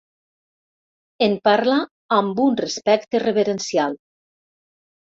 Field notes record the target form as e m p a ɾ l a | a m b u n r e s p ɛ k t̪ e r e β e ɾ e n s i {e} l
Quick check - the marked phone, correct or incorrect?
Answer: incorrect